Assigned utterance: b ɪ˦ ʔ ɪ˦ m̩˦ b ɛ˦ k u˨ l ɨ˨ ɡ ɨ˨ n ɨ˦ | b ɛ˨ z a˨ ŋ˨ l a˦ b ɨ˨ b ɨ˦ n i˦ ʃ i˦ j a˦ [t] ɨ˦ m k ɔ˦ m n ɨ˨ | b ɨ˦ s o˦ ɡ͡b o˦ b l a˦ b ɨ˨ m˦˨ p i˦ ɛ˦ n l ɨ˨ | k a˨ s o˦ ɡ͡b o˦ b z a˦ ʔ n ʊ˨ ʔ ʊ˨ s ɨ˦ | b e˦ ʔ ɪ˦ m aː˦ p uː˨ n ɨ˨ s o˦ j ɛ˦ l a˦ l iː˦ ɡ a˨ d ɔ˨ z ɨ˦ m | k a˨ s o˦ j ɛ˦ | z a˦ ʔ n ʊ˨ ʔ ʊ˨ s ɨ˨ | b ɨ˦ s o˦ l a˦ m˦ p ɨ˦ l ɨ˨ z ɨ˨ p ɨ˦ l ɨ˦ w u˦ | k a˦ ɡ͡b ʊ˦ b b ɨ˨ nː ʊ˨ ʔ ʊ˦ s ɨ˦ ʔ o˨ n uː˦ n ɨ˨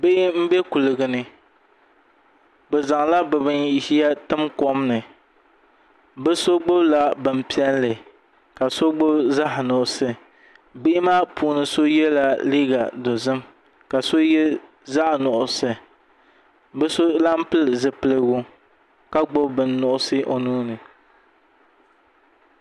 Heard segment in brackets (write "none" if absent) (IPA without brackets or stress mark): t